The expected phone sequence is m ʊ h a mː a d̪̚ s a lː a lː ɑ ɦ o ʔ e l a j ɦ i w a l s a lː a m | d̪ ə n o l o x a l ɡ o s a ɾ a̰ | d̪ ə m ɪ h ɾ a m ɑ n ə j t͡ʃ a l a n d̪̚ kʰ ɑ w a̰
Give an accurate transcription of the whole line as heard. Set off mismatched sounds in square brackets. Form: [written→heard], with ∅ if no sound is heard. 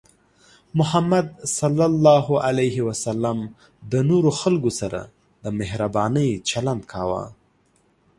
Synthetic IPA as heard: m ʊ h a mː a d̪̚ s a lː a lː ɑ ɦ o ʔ [e→a] l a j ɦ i w a [l→∅] s a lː a m | d̪ ə n o [l→ɾ] o x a l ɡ o s a ɾ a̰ | d̪ ə m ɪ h ɾ a [m→b] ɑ n ə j t͡ʃ a l a n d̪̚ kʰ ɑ w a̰